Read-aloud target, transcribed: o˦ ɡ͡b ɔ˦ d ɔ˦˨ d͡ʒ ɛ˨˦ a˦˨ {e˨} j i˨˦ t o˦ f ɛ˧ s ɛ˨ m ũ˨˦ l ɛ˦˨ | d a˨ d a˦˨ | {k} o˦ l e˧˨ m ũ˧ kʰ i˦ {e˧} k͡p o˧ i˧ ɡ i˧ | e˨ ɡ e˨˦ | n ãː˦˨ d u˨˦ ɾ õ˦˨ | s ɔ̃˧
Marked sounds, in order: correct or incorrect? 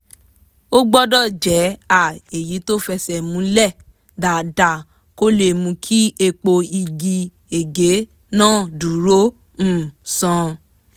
correct, correct, correct

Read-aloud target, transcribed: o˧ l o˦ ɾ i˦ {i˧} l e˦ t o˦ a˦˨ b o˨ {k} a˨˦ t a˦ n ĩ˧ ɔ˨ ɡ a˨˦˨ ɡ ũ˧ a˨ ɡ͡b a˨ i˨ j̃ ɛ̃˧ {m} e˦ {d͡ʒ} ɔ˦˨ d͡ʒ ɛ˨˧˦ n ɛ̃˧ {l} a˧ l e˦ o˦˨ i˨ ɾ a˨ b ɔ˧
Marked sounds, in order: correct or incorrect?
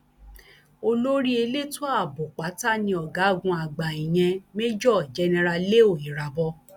incorrect, incorrect, correct, correct, incorrect

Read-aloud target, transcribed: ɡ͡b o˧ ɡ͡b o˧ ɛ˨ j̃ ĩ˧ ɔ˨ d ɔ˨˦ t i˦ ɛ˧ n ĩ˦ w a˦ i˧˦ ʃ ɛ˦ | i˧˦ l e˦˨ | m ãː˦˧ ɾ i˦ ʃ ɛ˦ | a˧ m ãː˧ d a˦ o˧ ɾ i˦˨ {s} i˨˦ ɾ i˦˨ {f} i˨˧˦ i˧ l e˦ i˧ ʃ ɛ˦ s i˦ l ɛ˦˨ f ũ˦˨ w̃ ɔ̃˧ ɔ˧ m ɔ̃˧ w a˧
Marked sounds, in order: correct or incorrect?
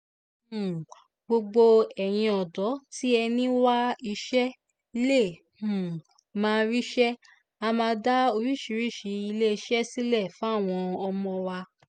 incorrect, incorrect

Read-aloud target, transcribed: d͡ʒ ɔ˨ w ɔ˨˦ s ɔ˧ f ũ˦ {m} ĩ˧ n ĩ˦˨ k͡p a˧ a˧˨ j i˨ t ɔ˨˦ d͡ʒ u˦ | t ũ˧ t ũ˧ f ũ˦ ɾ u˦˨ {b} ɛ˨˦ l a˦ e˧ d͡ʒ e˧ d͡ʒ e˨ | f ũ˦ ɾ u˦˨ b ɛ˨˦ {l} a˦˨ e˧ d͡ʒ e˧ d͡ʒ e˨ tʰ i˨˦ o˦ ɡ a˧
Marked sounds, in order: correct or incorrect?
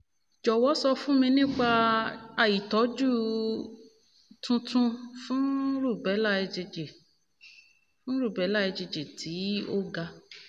correct, correct, correct

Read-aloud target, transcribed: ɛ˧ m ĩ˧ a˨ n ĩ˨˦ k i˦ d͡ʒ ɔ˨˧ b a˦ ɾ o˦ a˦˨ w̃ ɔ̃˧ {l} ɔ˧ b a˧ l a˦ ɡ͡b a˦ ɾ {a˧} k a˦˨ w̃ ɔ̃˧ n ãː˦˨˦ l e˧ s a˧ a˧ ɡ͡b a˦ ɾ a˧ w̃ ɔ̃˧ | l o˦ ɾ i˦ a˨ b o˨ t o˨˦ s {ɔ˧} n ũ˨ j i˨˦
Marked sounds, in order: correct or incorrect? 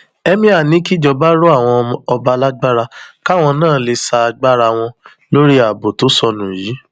incorrect, correct, correct

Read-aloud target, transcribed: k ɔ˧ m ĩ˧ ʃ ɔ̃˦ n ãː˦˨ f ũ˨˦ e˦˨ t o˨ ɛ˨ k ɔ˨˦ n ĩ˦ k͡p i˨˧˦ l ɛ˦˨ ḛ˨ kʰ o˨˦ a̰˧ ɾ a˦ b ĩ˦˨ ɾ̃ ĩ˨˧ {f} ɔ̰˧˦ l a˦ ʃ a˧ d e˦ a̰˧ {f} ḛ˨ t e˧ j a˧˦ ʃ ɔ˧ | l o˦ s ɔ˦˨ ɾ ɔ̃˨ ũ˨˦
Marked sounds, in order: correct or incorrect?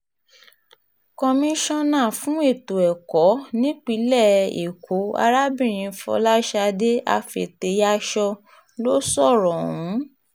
correct, correct

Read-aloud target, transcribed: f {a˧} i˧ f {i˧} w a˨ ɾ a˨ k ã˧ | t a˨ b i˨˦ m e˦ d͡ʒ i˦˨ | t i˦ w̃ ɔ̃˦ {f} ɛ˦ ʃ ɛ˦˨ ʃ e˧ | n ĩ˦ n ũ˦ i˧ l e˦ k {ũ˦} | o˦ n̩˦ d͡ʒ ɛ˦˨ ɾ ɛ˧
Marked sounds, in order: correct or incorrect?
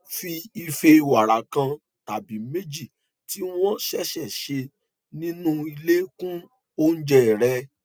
incorrect, incorrect, incorrect, correct

